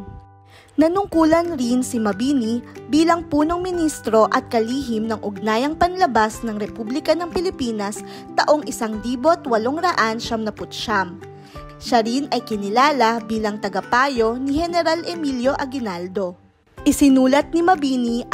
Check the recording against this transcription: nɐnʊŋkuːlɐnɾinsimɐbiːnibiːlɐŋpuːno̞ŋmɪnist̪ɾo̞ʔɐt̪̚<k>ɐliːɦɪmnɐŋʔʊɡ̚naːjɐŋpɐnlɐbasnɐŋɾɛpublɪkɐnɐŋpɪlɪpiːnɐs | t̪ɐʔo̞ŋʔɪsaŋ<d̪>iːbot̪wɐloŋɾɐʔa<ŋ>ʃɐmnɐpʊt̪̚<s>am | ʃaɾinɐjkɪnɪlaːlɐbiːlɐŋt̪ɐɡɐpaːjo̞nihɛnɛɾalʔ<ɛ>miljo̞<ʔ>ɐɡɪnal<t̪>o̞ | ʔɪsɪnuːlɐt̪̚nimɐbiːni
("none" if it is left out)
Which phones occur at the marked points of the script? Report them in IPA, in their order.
k, d̪, n, ʃ, ɛ, ʔ, d̪

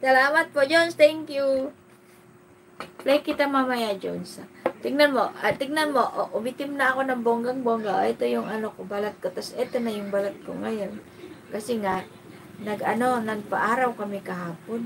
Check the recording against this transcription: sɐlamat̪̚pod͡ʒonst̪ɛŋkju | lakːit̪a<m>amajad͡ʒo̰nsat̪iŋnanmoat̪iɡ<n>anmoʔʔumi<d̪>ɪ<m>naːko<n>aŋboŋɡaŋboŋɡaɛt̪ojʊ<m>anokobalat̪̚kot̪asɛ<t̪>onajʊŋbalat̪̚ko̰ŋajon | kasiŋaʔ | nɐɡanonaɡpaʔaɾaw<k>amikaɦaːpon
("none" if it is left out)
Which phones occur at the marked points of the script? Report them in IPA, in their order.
m, n, t̪, m, n, ŋ, t̪, k

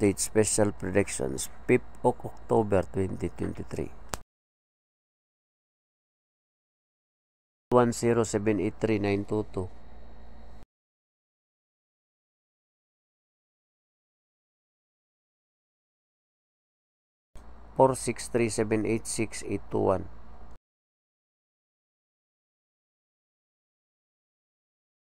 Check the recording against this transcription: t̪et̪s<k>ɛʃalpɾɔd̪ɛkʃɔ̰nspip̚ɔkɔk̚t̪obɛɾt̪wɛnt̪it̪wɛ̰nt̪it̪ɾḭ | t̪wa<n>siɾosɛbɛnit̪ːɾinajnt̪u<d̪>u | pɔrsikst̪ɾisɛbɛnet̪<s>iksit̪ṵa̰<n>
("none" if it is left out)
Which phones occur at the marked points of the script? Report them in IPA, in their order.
p, n, t̪, s, n

